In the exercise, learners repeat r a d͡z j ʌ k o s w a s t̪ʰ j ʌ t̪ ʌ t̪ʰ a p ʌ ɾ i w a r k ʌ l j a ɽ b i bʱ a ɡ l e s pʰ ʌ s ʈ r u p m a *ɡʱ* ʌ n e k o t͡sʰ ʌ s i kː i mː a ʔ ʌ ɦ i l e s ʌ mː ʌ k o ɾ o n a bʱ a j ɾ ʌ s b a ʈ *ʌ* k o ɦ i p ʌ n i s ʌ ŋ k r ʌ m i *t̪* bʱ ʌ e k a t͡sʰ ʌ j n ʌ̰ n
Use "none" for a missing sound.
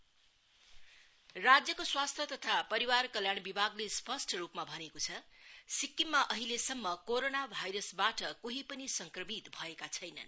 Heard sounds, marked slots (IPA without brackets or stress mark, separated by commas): bʱ, ʌ, t̪